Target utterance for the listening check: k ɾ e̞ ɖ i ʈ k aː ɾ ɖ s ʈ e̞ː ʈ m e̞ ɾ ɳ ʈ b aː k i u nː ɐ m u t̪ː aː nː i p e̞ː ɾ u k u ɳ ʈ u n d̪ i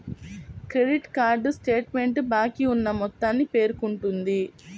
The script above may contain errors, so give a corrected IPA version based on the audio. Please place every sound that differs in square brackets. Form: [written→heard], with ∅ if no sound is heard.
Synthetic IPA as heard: k ɾ e̞ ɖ i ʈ k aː ɾ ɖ s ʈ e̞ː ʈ m e̞ [ɾ→∅] ɳ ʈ b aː k i u nː ɐ m [u→ɔ] t̪ː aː nː i p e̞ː ɾ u k u ɳ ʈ u n d̪ i